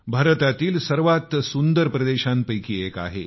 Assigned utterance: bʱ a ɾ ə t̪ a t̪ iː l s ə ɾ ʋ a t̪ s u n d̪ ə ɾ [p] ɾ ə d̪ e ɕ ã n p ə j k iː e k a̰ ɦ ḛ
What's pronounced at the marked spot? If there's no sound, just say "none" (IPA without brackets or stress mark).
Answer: p